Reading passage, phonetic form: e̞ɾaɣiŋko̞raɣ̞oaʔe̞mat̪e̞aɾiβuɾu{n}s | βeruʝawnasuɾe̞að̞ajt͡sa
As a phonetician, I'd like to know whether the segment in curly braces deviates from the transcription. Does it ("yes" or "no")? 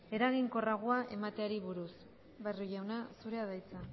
yes